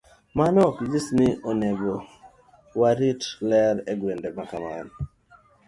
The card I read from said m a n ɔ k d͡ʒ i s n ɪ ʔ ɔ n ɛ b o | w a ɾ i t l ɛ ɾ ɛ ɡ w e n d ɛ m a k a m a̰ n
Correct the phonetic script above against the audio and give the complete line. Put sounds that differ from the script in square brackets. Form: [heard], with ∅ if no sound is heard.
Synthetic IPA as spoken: m a n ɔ k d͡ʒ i s n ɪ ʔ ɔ n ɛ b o | w a ɾ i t l ɛ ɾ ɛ ɡ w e n d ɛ m a k a m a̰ n